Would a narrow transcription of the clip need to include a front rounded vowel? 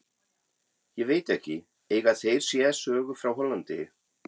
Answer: yes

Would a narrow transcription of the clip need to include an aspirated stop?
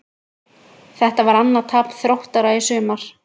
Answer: yes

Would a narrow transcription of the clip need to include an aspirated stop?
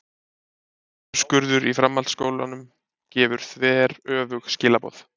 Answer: no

